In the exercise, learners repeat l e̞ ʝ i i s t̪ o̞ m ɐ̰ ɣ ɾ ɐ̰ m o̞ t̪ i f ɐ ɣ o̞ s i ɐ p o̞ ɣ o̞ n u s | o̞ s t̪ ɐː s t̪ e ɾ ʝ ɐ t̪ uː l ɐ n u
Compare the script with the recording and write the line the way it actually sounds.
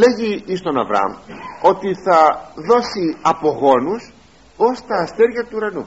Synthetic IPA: l e̞ ʝ i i s t̪ o̞ n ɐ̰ v ɾ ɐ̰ m o̞ t̪ i θ ɐ ð o̞ s i ɐ p o̞ ɣ o̞ n u s | o̞ s t̪ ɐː s t̪ e ɾ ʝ ɐ t̪ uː ɾ ɐ n u